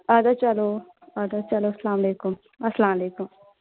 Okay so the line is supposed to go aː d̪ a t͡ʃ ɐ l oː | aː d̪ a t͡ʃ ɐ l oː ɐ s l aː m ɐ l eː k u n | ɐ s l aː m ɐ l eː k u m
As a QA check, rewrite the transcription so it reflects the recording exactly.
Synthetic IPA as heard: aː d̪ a t͡ʃ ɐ l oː | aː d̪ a t͡ʃ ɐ l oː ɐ s l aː m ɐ l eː k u m | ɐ s l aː m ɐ l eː k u m